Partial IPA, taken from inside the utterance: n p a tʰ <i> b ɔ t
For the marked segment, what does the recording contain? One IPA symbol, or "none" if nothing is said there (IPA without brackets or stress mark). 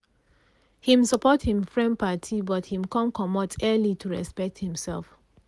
i